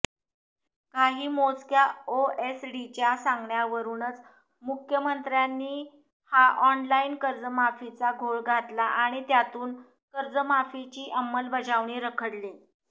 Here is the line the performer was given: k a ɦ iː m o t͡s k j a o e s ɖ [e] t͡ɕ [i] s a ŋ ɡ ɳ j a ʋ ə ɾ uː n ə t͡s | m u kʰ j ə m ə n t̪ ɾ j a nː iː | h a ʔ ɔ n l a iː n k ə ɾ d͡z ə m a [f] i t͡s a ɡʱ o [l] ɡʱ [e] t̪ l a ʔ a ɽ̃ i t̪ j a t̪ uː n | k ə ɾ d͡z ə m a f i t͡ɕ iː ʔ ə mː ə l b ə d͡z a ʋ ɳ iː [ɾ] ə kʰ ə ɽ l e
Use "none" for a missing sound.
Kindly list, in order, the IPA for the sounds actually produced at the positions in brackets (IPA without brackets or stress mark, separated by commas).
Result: i, a, f, ɭ, a, ɾ